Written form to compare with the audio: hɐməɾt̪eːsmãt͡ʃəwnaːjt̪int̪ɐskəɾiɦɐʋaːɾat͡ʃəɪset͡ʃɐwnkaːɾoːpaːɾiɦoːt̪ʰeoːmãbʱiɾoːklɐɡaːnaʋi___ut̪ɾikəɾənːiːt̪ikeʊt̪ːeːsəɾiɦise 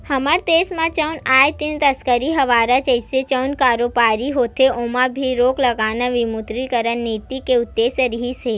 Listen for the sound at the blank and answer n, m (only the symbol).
m